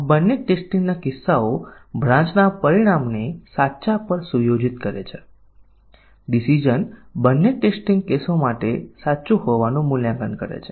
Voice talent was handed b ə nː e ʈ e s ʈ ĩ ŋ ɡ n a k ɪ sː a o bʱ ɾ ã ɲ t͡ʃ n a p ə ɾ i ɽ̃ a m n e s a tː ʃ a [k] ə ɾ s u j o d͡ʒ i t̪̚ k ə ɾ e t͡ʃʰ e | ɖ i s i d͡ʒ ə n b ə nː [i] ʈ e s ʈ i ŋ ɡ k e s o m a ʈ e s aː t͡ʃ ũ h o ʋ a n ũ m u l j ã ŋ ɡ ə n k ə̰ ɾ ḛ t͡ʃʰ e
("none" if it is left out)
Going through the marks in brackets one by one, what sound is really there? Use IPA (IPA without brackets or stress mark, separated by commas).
p, e